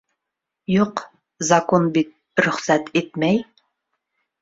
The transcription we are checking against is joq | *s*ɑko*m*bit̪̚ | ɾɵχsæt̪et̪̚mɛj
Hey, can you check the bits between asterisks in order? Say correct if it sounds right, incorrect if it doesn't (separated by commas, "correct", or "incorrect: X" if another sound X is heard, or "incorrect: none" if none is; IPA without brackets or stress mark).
incorrect: z, incorrect: n